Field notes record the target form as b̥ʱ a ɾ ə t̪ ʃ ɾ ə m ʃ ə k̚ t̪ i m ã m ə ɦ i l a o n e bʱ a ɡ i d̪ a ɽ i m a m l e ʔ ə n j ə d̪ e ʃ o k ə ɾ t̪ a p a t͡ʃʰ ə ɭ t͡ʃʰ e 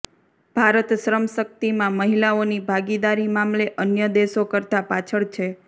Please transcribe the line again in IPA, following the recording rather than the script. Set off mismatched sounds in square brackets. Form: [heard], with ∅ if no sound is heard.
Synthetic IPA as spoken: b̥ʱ a ɾ ə t̪ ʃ ɾ ə m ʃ ə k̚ t̪ i m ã m ə ɦ i l a o n [i] bʱ a ɡ i d̪ a [ɾ] i m a m l e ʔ ə n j ə d̪ e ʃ o k ə ɾ t̪ a p a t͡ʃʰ ə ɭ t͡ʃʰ e